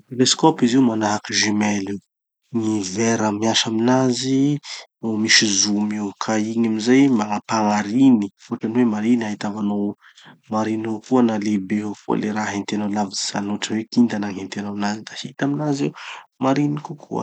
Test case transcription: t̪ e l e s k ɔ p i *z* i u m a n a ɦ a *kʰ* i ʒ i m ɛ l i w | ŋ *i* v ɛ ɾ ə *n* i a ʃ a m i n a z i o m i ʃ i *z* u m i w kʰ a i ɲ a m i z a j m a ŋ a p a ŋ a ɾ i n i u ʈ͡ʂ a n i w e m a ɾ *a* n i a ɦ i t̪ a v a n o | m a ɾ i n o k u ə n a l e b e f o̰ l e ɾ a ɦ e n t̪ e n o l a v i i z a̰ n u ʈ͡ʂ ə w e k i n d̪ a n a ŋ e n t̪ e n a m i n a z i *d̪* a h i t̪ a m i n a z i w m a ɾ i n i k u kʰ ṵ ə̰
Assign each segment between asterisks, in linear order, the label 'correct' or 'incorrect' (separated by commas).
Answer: correct, incorrect, correct, incorrect, correct, incorrect, correct